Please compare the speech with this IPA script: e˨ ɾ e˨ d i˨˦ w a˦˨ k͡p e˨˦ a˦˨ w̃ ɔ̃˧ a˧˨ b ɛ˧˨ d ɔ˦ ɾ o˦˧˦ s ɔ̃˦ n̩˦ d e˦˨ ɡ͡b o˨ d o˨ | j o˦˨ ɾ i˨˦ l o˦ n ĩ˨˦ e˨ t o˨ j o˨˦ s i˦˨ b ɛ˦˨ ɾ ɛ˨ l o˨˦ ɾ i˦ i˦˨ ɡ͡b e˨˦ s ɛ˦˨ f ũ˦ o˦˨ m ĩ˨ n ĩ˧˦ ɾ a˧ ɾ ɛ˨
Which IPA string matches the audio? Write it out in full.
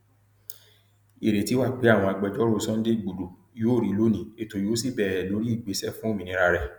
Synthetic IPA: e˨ ɾ e˨ t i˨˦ w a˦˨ k͡p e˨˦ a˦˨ w̃ ɔ̃˧ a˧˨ ɡ͡b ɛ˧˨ d͡ʒ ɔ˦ ɾ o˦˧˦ s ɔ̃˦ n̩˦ d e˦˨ ɡ͡b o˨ d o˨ | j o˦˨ ɾ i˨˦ l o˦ n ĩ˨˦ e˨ t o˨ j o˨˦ s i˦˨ b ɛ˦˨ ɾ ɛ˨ l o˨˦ ɾ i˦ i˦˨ ɡ͡b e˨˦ s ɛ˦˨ f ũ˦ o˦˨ m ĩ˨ n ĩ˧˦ ɾ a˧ ɾ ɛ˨